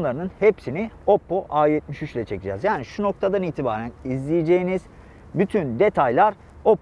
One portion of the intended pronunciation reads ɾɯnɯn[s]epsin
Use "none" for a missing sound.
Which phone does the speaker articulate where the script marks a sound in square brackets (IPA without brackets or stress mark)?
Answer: h